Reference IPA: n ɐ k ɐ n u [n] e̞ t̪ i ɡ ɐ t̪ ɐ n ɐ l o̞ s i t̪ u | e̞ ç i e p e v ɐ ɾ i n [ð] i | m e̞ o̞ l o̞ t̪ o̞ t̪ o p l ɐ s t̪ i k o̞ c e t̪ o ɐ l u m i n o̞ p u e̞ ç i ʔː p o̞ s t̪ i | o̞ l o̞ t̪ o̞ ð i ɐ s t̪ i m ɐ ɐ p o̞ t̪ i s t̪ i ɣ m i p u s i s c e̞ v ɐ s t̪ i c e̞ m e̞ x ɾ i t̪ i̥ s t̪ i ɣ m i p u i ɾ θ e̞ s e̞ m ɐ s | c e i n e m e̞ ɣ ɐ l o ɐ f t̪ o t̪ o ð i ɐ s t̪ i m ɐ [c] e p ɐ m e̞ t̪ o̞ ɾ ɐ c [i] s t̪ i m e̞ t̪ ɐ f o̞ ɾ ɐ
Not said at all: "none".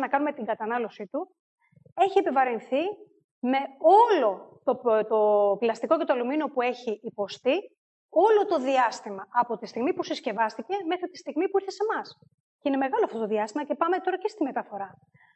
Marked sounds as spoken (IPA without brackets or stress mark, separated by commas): m, θ, c, e